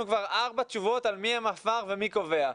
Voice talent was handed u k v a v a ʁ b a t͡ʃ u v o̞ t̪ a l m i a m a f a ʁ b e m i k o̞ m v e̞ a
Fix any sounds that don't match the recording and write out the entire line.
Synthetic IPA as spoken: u k v a ʁ a ʁ b a t͡ʃ u v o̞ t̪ a l m i a m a f a ʁ v e m i k o̞ v e̞ a